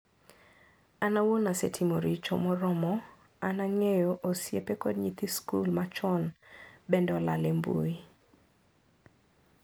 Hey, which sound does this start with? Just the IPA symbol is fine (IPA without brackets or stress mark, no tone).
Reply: a